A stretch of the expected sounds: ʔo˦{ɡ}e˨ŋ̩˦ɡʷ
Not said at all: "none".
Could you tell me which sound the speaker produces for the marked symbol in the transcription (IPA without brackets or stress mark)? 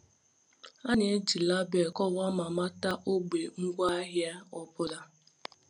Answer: ɡ͡b